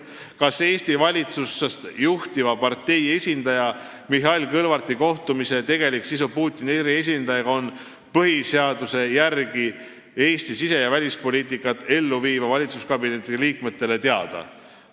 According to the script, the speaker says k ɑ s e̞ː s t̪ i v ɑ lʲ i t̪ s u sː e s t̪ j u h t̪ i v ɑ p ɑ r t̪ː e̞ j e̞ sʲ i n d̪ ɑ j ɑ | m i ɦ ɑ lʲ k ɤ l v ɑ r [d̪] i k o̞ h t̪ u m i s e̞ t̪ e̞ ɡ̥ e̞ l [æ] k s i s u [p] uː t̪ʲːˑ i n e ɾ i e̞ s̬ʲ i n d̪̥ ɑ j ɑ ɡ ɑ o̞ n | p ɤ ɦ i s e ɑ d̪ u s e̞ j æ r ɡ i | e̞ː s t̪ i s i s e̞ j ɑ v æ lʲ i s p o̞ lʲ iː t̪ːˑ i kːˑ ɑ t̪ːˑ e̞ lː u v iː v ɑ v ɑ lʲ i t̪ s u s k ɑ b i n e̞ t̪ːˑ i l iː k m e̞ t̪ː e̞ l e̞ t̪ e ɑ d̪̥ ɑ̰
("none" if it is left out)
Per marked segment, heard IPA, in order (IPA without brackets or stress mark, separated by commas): t̪, i, p